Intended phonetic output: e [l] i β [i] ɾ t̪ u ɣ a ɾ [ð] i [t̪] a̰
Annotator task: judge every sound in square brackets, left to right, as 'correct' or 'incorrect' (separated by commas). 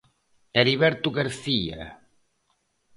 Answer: incorrect, incorrect, incorrect, incorrect